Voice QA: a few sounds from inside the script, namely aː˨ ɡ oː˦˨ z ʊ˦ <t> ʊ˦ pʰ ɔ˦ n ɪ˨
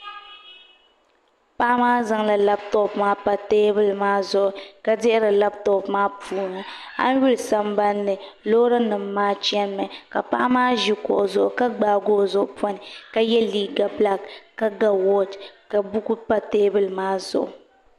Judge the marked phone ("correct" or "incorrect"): incorrect